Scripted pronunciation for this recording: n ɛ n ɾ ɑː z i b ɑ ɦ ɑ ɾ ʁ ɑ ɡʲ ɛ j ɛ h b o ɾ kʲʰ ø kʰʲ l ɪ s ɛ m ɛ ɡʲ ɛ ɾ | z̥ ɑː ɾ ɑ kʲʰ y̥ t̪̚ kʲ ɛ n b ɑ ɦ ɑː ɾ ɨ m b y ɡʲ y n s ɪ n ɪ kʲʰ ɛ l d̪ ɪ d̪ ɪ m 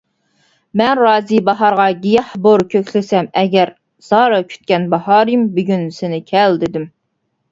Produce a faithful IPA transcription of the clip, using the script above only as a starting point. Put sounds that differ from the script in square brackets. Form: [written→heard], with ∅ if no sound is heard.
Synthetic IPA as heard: [n→m] ɛ n ɾ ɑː z i b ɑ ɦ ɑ ɾ ʁ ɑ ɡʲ [ɛ→i] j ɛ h b o ɾ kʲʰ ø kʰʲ l ɪ s ɛ m ɛ ɡʲ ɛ ɾ | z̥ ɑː ɾ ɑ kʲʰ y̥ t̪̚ kʲ ɛ n b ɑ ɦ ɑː ɾ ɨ m b y ɡʲ y n s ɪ n ɪ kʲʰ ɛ l d̪ ɪ d̪ ɪ m